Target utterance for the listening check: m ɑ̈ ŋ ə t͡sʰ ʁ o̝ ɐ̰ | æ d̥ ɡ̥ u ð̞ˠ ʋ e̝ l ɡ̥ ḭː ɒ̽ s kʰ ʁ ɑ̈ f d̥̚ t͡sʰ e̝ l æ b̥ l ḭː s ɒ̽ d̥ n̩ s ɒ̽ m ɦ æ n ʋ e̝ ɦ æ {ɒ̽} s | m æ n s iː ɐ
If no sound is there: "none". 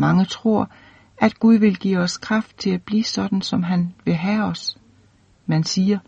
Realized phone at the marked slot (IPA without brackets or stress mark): ɒ̽